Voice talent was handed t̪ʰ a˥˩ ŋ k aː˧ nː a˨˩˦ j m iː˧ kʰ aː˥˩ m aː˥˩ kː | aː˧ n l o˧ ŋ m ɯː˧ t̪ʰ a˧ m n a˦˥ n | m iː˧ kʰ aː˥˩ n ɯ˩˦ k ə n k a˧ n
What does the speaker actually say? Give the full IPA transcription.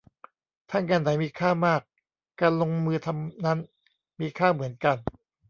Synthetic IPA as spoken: t̪ʰ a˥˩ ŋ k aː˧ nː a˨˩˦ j m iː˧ kʰ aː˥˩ m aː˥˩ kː | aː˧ n l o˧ ŋ m ɯː˧ t̪ʰ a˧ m n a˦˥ n | m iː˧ kʰ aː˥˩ m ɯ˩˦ ə n k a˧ n